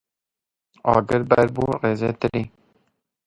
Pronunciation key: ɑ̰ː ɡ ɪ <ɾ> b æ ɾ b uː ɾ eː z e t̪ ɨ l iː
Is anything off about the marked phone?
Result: no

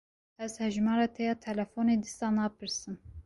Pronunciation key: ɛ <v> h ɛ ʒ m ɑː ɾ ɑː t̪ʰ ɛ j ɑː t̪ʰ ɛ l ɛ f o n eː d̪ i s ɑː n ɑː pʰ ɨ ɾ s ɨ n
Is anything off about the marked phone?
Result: yes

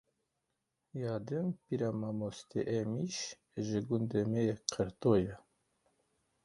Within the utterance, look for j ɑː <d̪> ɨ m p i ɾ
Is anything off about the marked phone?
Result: no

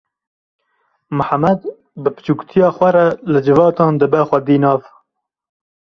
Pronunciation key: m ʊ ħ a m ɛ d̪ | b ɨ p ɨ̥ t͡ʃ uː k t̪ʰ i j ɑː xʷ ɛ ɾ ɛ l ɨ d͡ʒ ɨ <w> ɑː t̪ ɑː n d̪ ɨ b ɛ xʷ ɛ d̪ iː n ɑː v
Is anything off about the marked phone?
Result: yes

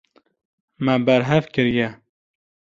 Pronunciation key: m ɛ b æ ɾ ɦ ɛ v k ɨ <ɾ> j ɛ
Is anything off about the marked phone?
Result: no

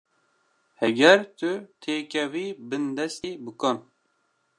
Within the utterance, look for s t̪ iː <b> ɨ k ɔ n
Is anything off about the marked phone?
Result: no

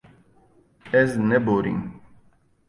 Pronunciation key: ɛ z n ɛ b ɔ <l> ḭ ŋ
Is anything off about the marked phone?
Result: yes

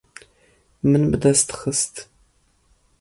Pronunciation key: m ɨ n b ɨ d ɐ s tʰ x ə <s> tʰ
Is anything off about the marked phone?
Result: no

